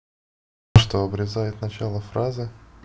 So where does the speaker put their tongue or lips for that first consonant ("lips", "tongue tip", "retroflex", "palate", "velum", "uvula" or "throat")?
retroflex